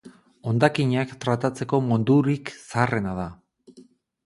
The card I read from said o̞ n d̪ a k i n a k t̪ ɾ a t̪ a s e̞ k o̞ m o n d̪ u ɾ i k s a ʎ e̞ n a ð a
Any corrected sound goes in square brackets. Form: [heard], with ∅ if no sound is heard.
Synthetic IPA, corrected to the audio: o̞ n d̪ a k i [ɲ] a k t̪ ɾ a t̪ a [t͡s] e̞ k o̞ m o n d̪ u ɾ i k s a [r] e̞ n a ð a

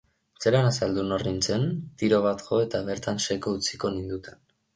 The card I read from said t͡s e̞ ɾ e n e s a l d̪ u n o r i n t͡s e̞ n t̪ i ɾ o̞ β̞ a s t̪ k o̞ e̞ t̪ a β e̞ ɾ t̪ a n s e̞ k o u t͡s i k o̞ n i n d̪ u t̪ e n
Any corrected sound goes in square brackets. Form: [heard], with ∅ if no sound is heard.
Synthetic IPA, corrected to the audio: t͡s e̞ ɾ [a] n [a] s a l d̪ u n o r i n t͡s e̞ n t̪ i ɾ o̞ β̞ a [∅] t̪ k o̞ e̞ t̪ a β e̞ ɾ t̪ a n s e̞ k o u t͡s i k o̞ n i n d̪ u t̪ e n

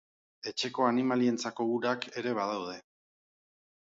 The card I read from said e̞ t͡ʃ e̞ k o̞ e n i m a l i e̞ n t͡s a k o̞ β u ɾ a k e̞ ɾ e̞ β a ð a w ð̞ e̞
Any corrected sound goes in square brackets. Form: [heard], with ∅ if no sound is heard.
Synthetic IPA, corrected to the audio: e̞ t͡ʃ e̞ k o̞ [a] n i m a l i e̞ n t͡s a k o̞ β u ɾ a k e̞ ɾ e̞ β a ð a w ð̞ e̞

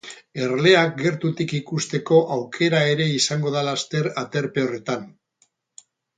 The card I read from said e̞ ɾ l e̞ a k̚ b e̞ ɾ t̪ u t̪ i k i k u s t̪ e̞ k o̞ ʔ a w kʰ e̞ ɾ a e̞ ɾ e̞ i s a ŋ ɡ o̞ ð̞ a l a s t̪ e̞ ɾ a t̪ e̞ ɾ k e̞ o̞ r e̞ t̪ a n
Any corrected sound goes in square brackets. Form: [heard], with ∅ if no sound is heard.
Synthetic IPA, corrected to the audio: e̞ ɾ l e̞ a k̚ [ɡ] e̞ ɾ t̪ u t̪ i k i k u s t̪ e̞ k o̞ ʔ a w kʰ e̞ ɾ a e̞ ɾ e̞ i s a ŋ ɡ o̞ ð̞ a l a s t̪ e̞ ɾ a t̪ e̞ ɾ [p] e̞ o̞ r e̞ t̪ a n

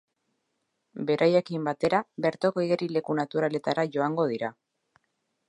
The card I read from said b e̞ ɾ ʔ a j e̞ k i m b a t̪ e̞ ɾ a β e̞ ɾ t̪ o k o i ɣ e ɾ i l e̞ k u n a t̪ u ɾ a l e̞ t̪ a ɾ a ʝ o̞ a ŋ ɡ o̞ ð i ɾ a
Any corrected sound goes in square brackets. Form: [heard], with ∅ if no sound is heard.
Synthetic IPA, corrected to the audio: b e̞ ɾ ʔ a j e̞ k i m b a t̪ e̞ ɾ a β e̞ ɾ t̪ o k o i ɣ e ɾ i l e̞ k u n a t̪ u ɾ a l e̞ t̪ a ɾ a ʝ o̞ a ŋ ɡ o̞ ð i ɾ a

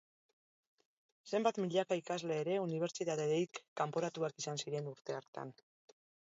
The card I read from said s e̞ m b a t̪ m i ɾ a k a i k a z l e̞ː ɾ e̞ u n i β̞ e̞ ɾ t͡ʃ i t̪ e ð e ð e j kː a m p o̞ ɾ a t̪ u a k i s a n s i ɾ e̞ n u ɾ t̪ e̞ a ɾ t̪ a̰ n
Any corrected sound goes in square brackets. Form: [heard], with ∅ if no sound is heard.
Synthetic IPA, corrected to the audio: s e̞ m b a t̪ m i [ʎ] a k a i k a z l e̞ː ɾ e̞ u n i β̞ e̞ ɾ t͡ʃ i t̪ [a] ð e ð e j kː a m p o̞ ɾ a t̪ u a k i s a n s i ɾ e̞ n u ɾ t̪ e̞ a ɾ t̪ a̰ n

